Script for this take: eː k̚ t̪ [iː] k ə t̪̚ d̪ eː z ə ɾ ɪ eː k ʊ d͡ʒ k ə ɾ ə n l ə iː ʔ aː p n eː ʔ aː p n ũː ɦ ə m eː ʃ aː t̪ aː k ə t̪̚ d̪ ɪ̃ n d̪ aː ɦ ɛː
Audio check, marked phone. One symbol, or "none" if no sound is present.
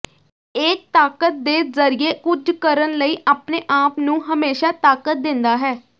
aː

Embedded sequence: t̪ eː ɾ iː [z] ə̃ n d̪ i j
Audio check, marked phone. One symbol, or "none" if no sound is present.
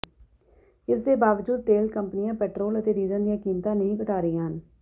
z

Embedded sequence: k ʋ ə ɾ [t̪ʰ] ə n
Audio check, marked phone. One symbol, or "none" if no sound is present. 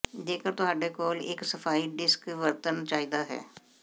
t̪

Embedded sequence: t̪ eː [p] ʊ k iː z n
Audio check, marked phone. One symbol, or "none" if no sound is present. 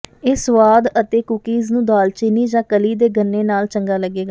k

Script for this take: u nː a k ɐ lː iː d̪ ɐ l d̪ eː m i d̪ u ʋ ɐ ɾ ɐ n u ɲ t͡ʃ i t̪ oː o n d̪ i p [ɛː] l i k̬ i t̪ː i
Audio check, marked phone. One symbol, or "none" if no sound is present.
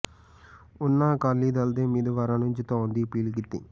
iː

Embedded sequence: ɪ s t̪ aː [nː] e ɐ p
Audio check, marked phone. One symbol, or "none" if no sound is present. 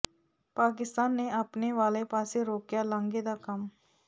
nː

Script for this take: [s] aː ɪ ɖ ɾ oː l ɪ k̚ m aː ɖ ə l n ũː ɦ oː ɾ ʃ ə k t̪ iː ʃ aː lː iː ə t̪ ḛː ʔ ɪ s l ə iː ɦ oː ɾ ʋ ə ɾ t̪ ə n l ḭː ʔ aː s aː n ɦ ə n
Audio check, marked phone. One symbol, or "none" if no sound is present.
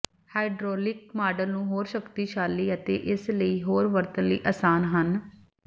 h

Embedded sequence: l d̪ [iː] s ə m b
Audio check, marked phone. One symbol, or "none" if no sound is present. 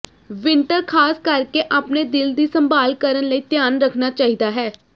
iː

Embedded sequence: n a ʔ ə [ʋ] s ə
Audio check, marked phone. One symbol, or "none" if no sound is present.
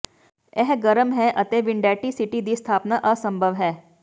none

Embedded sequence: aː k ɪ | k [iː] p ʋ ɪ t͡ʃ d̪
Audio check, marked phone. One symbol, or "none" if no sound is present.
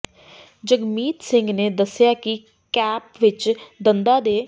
ɛː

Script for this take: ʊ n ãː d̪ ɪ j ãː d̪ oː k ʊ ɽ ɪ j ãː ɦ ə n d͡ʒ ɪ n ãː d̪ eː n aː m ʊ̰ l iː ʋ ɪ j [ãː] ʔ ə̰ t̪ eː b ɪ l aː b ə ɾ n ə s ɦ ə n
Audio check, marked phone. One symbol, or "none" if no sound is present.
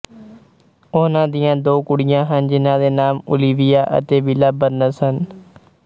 aː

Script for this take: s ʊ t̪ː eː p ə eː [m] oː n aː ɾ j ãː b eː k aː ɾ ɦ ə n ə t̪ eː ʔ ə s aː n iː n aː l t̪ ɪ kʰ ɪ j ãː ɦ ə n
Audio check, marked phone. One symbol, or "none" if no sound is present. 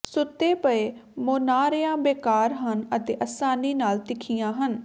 m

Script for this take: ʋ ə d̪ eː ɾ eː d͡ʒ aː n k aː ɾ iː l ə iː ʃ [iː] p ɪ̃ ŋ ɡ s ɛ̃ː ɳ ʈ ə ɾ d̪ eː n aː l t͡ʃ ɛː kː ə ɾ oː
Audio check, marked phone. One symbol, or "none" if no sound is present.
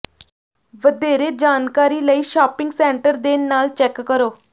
aː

